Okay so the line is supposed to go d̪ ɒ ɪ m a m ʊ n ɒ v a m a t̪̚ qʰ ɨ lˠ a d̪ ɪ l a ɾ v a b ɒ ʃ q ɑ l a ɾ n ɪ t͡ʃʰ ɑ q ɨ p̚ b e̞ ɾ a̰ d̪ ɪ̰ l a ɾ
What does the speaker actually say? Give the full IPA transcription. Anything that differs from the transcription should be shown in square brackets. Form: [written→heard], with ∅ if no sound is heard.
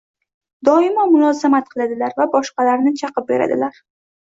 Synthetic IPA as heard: d̪ ɒ ɪ m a m ʊ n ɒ [v→z] a m a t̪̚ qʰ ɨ lˠ a d̪ ɪ l a ɾ v a b ɒ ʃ q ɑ l a ɾ n ɪ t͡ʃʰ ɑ q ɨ p̚ b e̞ ɾ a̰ d̪ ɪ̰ l a ɾ